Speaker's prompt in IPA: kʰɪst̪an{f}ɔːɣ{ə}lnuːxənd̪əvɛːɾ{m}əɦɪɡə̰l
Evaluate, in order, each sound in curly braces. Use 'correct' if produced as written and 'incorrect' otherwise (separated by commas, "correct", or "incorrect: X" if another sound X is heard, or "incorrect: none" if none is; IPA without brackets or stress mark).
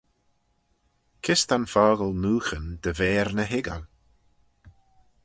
correct, correct, incorrect: n